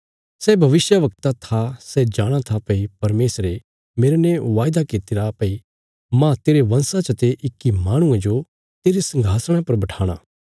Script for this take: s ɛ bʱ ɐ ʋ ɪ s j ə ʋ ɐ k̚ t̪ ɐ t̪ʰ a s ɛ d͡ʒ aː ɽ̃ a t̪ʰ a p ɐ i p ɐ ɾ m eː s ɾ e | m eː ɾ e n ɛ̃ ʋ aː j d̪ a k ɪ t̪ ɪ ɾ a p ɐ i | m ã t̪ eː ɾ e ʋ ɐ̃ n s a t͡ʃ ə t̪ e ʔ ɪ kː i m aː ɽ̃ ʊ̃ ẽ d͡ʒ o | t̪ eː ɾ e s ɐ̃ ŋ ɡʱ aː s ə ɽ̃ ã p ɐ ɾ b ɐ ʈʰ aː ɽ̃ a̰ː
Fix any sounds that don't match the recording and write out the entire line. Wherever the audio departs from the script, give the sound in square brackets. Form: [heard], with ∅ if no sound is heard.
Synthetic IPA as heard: s ɛ bʱ ɐ ʋ ɪ s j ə ʋ ɐ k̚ t̪ [a] t̪ʰ a s ɛ d͡ʒ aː ɽ̃ a t̪ʰ a p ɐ i p ɐ ɾ m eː s ɾ e | m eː ɾ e n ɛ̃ ʋ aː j d̪ a k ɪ t̪ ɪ ɾ a p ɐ i | m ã t̪ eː ɾ e ʋ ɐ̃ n s a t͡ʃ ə t̪ e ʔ ɪ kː i m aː ɽ̃ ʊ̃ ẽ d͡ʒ o | t̪ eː ɾ e s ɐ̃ ŋ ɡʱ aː s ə ɽ̃ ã p ɐ ɾ b ɐ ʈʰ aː ɽ̃ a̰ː